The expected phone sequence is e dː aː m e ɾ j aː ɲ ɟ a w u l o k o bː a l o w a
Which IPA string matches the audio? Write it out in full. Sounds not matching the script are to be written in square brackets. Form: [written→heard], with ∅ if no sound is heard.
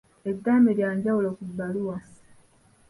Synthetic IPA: e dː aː m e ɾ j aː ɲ ɟ a w u l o k [o→u] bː a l [o→u] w a